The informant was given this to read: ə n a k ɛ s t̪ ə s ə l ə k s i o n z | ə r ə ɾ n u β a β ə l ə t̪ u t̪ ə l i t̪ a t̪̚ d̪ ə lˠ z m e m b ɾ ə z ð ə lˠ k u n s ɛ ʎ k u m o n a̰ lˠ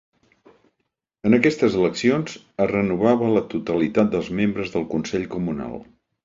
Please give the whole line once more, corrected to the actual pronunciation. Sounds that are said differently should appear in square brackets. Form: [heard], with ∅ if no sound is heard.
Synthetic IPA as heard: ə n [ə] k ɛ s t̪ ə [z] ə l ə k s i o n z | ə r ə [∅] n u β a β ə l ə t̪ u t̪ ə l i t̪ a t̪̚ d̪ ə lˠ z m e m b ɾ ə z ð ə lˠ k u n s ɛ ʎ k u m [u] n a̰ lˠ

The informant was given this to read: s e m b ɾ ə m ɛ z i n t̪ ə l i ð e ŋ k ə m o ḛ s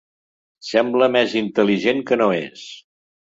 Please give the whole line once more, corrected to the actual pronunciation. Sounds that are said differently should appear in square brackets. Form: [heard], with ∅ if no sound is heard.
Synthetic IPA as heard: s [ɛ] m b [l] ə m ɛ z i n t̪ ə l i [ʒ] e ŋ k ə [n] o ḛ s

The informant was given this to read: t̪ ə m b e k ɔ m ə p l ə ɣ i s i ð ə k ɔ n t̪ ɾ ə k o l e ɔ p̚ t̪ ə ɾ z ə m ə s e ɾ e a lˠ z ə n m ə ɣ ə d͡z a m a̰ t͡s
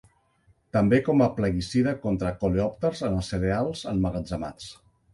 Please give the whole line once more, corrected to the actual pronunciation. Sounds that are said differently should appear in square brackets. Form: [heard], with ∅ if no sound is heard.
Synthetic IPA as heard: t̪ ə m b e k ɔ m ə p l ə ɣ i s i ð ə k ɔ n t̪ ɾ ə k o l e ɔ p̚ t̪ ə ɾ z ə [n] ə s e ɾ e a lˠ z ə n m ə ɣ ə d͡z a m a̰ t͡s

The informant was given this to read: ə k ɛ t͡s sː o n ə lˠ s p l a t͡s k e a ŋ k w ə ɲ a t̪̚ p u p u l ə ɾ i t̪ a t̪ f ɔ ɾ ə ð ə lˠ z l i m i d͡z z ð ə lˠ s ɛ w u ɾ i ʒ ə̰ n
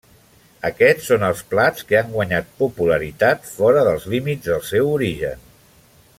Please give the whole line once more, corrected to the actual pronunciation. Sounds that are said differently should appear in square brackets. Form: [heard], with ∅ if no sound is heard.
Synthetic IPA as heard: ə k ɛ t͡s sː o n ə lˠ s p l a t͡s k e a ŋ [ɡ] w ə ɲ a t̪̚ p u p u l ə ɾ i t̪ a t̪ f ɔ ɾ ə ð ə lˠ z l i m i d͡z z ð ə lˠ s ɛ w u ɾ i ʒ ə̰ n

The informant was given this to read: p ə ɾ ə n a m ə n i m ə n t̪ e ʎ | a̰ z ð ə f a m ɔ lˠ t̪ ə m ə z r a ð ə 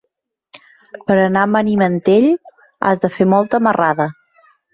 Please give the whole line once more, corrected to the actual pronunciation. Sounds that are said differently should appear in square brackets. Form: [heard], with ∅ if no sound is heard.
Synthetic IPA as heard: p ə ɾ ə n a m ə n i m ə n t̪ e ʎ | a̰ z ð ə f [e] m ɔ lˠ t̪ ə m ə [∅] r a ð ə

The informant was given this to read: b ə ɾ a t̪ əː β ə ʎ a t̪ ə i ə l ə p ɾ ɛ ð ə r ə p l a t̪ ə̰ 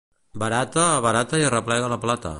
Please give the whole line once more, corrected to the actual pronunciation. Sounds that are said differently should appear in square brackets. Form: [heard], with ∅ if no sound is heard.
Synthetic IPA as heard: b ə ɾ a t̪ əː β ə [ɾ] a t̪ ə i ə [r] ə p [l] ɛ [ɣ] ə [l] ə p l a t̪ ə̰

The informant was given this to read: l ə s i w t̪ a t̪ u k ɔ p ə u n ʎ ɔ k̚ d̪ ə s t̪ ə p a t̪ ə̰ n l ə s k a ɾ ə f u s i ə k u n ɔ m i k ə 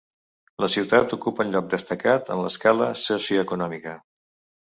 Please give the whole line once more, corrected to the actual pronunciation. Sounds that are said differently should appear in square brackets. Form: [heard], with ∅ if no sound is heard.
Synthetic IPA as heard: l ə s i w t̪ a t̪ u k [u] p ə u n ʎ ɔ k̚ d̪ ə s t̪ ə [k] a t̪ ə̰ n l ə s k a [l] ə [s] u s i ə k u n ɔ m i k ə

